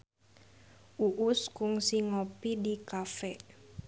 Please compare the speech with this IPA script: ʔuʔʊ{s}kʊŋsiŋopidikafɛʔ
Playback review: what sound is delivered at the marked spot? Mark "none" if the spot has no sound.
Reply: s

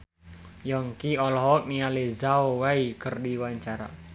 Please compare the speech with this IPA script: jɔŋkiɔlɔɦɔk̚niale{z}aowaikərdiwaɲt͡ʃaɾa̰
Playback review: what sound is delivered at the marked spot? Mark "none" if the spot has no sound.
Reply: z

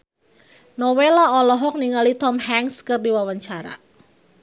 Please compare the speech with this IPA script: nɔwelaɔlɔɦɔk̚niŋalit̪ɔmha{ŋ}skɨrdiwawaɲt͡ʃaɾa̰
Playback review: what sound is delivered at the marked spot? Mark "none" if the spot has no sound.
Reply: ŋ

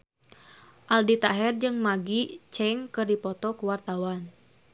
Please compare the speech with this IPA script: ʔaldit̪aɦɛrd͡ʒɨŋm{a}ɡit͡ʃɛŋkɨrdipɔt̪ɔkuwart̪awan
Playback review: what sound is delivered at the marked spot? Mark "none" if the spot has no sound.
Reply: a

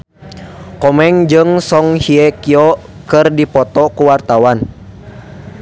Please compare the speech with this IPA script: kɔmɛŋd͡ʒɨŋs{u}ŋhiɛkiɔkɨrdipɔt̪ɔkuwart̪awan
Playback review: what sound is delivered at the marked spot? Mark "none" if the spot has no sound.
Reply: ɔ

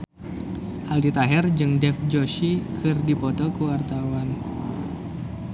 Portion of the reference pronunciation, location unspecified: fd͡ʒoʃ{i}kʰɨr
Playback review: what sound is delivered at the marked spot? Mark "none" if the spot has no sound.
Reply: i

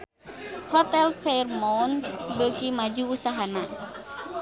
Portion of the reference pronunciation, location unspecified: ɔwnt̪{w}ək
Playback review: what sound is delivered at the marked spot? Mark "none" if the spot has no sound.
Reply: b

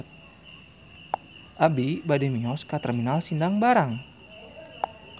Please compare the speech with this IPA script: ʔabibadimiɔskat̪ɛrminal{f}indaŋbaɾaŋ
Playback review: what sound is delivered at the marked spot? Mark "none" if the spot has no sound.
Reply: s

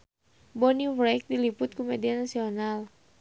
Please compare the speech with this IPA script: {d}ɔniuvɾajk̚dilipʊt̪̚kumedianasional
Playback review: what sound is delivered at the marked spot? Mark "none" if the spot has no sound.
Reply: b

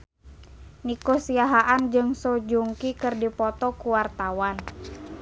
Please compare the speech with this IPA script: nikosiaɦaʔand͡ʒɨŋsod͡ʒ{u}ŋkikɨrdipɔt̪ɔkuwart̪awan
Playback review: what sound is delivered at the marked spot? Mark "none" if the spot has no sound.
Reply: u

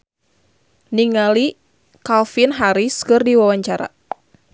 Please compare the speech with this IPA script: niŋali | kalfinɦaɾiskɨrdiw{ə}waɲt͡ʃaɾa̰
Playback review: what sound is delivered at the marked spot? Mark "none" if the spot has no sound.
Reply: a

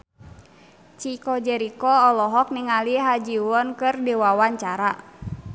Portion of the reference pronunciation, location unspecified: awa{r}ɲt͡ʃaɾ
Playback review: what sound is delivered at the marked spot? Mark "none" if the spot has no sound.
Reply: none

